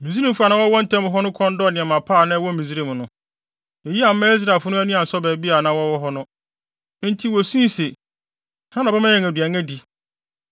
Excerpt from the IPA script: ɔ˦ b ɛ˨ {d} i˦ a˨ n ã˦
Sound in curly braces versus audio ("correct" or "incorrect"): incorrect